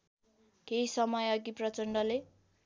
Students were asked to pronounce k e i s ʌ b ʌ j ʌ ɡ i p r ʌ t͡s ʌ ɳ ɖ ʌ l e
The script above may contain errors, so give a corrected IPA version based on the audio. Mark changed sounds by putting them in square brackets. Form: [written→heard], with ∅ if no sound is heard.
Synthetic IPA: k e i s ʌ [b→m] ʌ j ʌ ɡ i p r ʌ t͡s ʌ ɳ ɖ ʌ l e